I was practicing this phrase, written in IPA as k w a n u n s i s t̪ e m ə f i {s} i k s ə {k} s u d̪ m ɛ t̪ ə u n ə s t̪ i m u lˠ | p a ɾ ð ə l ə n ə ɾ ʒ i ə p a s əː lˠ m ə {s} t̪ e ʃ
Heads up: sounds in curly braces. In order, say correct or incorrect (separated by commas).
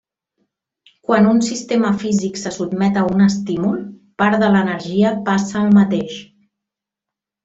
incorrect, incorrect, incorrect